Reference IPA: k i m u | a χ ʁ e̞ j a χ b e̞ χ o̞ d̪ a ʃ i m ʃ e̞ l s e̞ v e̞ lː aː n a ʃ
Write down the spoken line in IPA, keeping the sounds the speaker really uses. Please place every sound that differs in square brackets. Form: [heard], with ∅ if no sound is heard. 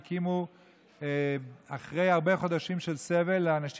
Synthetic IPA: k i m u | a χ ʁ e̞ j a [ʁ] b e̞ χ o̞ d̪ a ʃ i m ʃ e̞ l s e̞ v e̞ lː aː n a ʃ